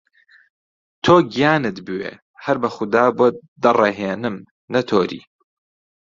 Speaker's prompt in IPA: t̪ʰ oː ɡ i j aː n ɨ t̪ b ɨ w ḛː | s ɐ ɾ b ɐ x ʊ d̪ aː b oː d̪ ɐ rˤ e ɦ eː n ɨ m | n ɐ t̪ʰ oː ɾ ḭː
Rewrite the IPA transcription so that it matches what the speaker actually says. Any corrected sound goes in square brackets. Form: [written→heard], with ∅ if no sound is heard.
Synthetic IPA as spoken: t̪ʰ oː ɡ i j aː n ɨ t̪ b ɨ w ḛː | [s→h] ɐ ɾ b ɐ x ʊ d̪ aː b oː d̪ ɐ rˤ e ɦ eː n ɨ m | n ɐ t̪ʰ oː ɾ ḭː